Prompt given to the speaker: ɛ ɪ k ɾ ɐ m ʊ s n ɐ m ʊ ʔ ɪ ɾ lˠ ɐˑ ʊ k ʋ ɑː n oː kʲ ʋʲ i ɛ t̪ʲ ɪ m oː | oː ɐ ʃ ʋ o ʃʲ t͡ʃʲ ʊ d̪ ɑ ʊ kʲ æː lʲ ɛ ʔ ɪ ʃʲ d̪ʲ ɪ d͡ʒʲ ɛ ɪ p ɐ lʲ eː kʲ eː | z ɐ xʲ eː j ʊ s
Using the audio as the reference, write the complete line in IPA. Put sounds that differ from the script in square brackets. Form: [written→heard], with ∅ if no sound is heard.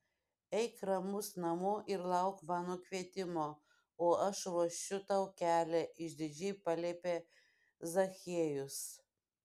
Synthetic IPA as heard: ɛ ɪ k ɾ ɐ m ʊ s n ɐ m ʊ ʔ ɪ ɾ lˠ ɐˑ ʊ k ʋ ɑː n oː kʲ ʋʲ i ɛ t̪ʲ ɪ m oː | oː ɐ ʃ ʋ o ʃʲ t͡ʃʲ ʊ [d̪→t̪] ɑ ʊ kʲ æː lʲ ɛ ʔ ɪ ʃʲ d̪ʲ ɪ d͡ʒʲ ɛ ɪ p ɐ lʲ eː [kʲ→pʲ] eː | z ɐ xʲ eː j ʊ s